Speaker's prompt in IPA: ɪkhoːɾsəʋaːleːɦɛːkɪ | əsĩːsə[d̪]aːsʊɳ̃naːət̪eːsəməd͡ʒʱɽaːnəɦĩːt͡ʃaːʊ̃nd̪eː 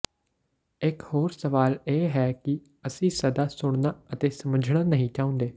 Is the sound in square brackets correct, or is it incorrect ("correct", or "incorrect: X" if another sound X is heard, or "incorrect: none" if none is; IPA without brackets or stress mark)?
correct